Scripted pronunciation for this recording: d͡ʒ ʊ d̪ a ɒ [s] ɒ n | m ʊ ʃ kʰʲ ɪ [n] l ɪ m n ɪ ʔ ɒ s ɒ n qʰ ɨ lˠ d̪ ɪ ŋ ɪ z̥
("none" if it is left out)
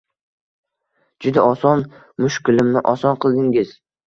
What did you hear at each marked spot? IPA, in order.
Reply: s, none

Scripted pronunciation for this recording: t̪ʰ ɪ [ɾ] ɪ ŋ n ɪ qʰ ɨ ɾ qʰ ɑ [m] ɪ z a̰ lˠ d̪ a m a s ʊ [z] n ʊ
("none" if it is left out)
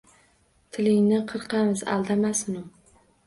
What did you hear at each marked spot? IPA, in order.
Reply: l, m, none

